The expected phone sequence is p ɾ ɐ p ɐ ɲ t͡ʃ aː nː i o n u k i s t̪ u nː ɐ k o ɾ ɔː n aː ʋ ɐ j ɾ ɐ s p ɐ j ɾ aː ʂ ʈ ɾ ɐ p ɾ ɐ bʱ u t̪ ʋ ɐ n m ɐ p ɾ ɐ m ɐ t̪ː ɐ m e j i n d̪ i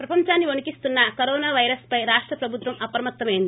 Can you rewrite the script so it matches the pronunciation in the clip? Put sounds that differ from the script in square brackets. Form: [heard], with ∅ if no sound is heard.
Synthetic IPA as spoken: p ɾ ɐ p ɐ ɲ t͡ʃ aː nː i o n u k i s t̪ u nː ɐ k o ɾ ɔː n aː ʋ ɐ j ɾ ɐ s p ɐ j ɾ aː ʂ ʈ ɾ ɐ p ɾ ɐ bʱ u t̪ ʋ ɐ [∅] m ɐ p ɾ ɐ m ɐ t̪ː ɐ m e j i n d̪ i